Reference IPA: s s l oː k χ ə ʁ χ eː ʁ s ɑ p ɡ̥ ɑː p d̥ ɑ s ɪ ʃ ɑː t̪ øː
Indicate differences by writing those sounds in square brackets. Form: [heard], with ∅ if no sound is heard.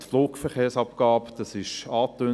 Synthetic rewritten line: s [f] l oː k [f] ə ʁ χ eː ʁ s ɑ p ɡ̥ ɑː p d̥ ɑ s ɪ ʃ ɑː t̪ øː